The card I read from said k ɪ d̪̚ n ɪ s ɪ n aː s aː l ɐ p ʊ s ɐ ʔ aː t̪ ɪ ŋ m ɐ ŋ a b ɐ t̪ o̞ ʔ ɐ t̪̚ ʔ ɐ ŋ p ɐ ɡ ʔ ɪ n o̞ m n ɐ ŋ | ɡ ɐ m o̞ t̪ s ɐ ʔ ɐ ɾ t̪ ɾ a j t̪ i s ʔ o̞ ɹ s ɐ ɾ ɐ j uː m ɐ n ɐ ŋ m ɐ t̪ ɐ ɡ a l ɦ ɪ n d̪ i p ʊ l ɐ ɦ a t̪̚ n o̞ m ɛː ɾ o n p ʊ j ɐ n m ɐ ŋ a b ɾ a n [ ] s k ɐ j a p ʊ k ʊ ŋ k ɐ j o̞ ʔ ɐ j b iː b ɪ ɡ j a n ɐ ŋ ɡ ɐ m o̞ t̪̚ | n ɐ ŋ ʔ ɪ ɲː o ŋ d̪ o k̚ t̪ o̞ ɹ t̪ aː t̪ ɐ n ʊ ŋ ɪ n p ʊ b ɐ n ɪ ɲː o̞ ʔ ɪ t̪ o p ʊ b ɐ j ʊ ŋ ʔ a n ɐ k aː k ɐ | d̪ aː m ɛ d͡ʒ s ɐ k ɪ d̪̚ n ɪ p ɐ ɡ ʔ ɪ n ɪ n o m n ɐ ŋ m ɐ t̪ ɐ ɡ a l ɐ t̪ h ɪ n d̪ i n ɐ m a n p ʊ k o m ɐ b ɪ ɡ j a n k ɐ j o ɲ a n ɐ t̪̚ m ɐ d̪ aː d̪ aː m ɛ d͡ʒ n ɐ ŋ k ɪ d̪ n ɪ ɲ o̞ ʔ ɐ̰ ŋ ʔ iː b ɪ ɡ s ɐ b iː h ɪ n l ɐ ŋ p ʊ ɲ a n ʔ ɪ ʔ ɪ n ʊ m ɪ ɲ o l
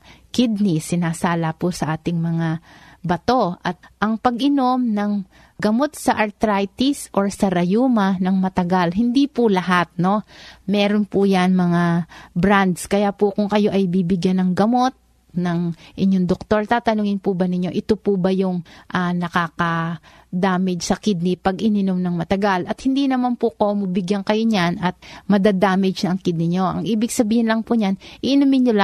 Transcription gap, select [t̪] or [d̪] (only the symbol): d̪